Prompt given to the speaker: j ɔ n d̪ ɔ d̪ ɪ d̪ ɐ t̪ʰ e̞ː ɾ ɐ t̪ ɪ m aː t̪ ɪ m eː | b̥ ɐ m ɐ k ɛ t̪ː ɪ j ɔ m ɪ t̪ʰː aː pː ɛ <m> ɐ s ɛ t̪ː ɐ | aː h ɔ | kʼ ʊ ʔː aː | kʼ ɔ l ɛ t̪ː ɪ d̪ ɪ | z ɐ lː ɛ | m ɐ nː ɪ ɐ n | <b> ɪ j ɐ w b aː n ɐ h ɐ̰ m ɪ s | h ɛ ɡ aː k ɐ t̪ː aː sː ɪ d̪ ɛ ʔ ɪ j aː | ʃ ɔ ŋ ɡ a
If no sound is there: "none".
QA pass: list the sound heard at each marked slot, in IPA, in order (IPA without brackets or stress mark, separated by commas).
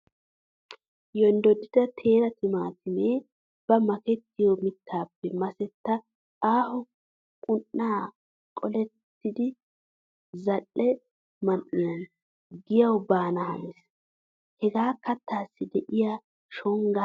m, ɡ